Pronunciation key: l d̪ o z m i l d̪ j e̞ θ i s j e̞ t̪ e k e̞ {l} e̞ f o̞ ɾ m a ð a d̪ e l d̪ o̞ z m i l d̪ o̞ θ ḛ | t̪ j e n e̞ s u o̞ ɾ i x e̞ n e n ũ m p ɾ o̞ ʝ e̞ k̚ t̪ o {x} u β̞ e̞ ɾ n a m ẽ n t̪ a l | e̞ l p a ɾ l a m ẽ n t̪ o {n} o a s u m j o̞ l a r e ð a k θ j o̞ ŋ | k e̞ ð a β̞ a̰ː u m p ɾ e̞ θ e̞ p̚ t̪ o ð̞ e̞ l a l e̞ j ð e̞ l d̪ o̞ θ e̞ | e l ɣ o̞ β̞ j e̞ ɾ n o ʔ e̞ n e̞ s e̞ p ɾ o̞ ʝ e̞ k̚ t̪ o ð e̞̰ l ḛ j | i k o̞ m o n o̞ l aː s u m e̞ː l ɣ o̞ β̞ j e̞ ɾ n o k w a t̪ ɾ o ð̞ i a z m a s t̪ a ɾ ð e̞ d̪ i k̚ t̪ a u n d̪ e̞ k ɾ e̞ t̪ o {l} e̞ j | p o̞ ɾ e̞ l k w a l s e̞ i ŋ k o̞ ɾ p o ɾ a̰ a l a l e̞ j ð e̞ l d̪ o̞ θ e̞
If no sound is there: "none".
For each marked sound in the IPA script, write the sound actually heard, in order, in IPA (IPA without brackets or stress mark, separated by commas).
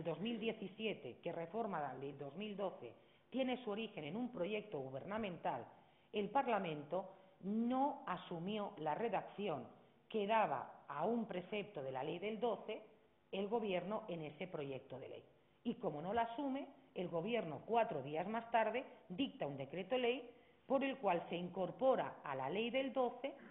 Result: r, ɣ, n, l